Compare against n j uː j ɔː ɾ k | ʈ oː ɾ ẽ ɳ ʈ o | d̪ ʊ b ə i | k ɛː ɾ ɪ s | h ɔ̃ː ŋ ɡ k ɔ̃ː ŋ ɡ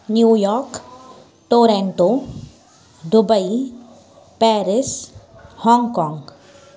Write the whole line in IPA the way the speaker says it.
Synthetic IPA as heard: n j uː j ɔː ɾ k | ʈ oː ɾ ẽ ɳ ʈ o | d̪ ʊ b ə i | p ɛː ɾ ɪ s | h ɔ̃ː ŋ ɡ k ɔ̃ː ŋ ɡ